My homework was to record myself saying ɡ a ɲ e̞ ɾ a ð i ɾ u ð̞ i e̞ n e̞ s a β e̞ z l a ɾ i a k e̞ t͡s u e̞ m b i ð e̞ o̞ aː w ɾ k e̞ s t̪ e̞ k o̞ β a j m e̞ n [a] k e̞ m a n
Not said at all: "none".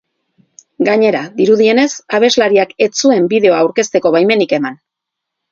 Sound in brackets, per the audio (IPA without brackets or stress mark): i